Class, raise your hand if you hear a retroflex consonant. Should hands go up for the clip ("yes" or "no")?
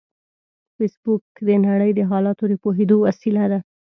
yes